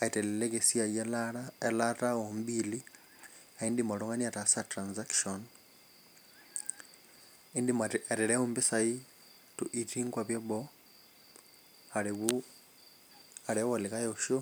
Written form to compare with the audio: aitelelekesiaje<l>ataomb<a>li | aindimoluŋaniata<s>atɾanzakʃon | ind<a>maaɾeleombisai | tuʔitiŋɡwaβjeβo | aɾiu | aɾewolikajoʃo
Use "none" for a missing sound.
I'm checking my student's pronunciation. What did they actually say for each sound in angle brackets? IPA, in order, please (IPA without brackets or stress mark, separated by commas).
l, i, s, i